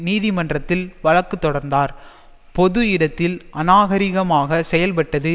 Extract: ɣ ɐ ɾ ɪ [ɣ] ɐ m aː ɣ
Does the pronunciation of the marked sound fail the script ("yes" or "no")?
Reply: no